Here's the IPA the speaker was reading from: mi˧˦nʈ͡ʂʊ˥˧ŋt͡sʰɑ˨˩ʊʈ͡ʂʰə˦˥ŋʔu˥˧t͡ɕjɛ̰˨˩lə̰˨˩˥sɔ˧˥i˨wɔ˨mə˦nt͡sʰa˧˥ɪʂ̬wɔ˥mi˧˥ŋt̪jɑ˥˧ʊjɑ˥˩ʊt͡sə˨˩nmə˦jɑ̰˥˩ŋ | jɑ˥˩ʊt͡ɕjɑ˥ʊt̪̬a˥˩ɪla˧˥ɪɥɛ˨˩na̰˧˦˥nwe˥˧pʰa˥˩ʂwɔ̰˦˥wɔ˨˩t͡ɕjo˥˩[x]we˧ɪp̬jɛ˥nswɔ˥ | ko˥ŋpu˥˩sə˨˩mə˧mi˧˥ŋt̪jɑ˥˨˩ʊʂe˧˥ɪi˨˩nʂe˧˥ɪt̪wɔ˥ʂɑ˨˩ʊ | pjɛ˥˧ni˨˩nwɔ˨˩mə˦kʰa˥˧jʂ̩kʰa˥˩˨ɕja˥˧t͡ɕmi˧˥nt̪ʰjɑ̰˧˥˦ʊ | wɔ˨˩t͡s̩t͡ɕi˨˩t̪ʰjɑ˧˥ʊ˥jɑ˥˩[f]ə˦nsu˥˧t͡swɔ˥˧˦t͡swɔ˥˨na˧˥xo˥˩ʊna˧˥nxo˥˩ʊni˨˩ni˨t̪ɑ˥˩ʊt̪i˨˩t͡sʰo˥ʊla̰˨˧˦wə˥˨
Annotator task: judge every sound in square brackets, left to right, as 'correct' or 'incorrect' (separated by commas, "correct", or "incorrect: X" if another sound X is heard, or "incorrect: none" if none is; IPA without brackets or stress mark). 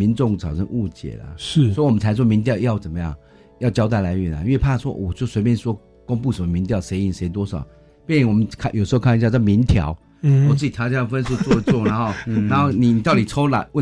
incorrect: s, correct